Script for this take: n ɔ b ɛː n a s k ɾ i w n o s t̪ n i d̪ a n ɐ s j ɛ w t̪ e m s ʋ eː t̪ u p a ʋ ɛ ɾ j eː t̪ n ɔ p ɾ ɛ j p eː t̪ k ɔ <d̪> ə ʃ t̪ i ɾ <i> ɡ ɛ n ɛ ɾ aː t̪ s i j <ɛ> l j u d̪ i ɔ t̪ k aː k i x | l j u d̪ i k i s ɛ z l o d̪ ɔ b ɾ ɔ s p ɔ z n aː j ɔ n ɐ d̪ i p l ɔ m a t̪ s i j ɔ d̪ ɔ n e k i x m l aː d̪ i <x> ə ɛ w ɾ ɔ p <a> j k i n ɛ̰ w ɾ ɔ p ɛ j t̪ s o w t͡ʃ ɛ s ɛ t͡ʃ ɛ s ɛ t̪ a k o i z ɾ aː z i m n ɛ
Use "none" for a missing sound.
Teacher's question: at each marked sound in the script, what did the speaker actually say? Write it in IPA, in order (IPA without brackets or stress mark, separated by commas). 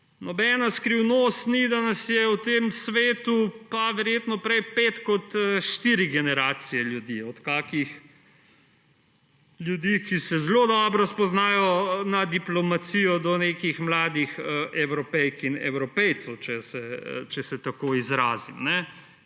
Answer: t̪, i, ɛ, x, ɛ